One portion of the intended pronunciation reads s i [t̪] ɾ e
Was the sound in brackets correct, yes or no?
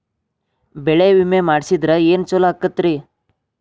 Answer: no